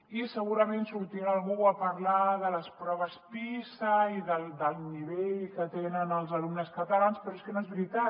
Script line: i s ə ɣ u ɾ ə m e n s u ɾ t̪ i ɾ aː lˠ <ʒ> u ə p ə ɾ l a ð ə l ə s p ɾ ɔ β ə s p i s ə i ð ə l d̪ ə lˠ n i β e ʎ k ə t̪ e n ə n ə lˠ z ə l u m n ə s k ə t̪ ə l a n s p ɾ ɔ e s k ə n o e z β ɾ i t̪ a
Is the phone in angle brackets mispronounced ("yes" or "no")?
yes